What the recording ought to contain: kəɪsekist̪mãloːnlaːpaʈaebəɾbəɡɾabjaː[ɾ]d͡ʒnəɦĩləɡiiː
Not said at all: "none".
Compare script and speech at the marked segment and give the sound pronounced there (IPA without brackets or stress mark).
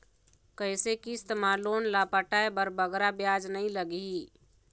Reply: none